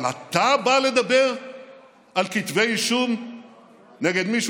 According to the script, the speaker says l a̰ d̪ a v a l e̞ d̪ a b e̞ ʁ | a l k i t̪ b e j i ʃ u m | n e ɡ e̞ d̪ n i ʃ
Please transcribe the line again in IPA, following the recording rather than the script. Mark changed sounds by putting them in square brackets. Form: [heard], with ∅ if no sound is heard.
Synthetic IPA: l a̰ [t̪] a [b] a l e̞ d̪ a b e̞ ʁ | a l k i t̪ [v] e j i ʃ u m | n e ɡ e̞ d̪ [m] i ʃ